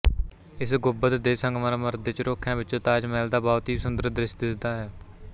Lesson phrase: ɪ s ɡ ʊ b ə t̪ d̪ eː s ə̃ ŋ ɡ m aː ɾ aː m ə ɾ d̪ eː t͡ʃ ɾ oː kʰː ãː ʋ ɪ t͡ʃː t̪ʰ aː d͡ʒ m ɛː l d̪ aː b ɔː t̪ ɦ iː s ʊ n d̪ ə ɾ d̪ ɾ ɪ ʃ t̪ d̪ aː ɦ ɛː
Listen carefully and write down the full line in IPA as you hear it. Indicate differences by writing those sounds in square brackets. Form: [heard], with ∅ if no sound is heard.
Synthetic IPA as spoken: ɪ s ɡ ʊ b ə t̪ d̪ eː s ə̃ ŋ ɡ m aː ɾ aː m ə ɾ d̪ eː t͡ʃ ɾ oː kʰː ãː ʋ ɪ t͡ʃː [t̪] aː d͡ʒ m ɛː l d̪ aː b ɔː t̪ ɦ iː s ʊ n d̪ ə ɾ d̪ ɾ ɪ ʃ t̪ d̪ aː ɦ ɛː